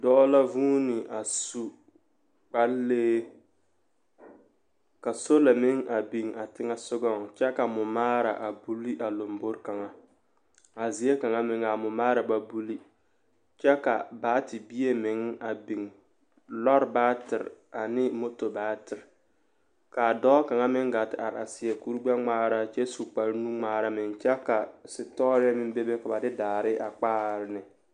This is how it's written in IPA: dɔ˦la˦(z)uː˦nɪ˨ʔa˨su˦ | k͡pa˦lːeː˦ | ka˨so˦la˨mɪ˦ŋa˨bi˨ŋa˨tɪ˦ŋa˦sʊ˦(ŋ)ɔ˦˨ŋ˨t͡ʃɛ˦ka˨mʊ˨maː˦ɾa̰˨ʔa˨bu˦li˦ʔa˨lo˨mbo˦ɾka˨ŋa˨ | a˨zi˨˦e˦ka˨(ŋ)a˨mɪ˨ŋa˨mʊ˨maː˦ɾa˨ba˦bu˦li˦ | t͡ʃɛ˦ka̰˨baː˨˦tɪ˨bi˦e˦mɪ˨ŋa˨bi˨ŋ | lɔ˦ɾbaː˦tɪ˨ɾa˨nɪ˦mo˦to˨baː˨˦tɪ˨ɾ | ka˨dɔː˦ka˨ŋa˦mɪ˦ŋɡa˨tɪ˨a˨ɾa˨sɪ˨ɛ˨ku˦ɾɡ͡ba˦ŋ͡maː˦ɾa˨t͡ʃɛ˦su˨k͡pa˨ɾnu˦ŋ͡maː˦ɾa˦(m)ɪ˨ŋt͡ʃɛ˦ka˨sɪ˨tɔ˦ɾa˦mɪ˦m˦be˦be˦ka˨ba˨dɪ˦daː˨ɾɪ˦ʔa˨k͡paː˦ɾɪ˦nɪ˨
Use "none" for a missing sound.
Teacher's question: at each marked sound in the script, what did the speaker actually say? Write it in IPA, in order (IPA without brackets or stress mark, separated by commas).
v, ɡ, ŋ, m